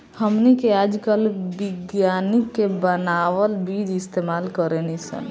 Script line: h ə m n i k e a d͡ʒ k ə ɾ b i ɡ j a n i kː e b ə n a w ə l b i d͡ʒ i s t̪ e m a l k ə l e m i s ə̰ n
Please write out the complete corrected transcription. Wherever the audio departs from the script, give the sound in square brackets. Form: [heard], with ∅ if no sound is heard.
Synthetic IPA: h ə m n i k e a d͡ʒ k ə [l] b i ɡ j a n i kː e b ə n a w ə l b i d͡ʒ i s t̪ e m a l k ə [ɾ] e [n] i s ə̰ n